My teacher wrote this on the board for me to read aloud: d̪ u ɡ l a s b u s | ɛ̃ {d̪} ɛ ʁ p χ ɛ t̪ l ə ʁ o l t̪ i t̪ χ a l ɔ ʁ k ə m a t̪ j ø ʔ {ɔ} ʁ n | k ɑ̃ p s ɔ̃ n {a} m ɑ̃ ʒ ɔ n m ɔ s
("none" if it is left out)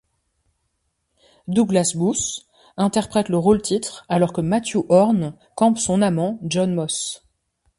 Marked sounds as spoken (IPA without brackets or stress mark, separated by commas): t̪, ɔ, a